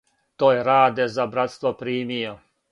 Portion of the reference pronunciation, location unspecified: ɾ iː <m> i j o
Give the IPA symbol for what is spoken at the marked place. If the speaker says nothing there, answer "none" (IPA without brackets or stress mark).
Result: m